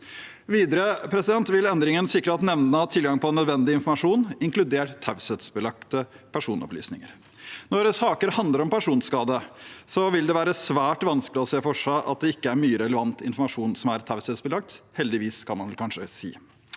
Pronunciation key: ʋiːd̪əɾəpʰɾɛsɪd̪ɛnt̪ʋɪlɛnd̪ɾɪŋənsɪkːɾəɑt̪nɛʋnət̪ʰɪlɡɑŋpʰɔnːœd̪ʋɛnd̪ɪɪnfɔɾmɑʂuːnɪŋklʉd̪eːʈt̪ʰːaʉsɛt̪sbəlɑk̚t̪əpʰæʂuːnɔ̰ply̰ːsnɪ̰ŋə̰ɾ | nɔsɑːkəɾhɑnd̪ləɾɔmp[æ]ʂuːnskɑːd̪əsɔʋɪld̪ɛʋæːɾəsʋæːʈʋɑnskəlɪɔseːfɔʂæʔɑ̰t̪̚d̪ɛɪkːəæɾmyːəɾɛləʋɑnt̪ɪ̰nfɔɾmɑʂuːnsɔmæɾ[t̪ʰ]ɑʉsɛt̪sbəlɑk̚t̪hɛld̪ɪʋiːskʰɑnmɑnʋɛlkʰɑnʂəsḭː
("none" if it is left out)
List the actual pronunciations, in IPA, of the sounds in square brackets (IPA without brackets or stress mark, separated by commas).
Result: æ, t̪ʰ